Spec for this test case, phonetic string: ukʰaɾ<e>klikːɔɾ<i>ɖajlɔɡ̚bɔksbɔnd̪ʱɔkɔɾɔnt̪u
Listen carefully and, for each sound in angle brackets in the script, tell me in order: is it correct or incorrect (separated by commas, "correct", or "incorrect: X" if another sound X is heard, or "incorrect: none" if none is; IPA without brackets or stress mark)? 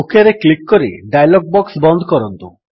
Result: correct, correct